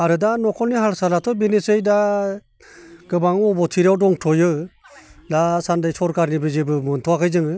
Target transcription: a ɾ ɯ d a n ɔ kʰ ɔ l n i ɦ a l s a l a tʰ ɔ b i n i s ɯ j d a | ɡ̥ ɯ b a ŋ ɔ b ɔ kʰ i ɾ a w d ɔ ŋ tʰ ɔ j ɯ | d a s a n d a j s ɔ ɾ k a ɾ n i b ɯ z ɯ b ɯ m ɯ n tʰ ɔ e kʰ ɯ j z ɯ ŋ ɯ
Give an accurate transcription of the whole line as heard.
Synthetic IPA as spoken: a ɾ ɯ d a n ɔ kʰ ɔ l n i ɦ a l s a l a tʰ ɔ b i n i s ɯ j d a | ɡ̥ ɯ b a ŋ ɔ b ɔ tʰ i ɾ a w d ɔ ŋ tʰ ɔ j ɯ | d a s a n d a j s ɔ ɾ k a ɾ n i b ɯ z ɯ b ɯ m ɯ n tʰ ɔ a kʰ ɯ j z ɯ ŋ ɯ